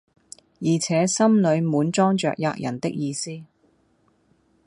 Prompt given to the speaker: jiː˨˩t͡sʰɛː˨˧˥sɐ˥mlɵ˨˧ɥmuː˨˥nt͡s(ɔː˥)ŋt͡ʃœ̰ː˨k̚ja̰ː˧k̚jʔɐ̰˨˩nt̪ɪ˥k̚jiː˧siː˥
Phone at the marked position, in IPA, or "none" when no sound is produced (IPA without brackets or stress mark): ɔː˥